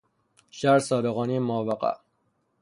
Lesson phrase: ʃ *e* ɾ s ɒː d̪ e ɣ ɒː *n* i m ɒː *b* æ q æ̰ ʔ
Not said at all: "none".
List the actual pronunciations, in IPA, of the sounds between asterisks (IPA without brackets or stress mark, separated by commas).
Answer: æ, n, v